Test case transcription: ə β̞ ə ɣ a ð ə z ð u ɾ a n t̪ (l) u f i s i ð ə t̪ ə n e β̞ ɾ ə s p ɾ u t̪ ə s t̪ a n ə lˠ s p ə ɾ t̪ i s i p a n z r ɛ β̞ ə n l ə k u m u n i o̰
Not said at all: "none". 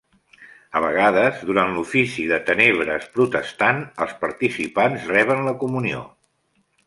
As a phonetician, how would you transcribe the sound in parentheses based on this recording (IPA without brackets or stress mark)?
l